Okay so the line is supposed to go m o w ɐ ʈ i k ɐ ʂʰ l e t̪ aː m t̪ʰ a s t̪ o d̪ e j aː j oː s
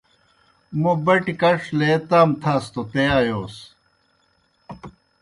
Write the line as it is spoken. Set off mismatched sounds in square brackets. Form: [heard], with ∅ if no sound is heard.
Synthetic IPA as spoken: m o [b] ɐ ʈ i k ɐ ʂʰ l e t̪ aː m t̪ʰ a s t̪ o [t̪] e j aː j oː s